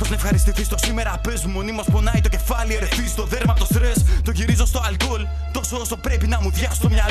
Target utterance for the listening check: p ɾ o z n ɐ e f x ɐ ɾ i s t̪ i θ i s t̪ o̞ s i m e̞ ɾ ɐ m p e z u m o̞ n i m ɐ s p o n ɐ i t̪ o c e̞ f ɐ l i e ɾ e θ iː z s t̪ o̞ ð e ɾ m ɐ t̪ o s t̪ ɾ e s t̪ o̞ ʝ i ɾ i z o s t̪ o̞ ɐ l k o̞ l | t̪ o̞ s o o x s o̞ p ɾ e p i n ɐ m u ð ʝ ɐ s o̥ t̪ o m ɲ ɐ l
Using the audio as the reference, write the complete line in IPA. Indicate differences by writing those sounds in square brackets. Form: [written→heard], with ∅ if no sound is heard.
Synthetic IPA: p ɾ o z n ɐ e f x ɐ ɾ i s t̪ i θ i s t̪ o̞ s i m e̞ ɾ ɐ [m→∅] p e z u m o̞ n i m ɐ s p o n ɐ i t̪ o c e̞ f ɐ l i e ɾ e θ [iː→i] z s t̪ o̞ ð e ɾ m ɐ t̪ o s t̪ ɾ e s t̪ o̞ ʝ i ɾ i z o s t̪ o̞ ɐ l k o̞ l | t̪ o̞ s o o [x→∅] s o̞ p ɾ e p i n ɐ m u ð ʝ ɐ s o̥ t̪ o m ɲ ɐ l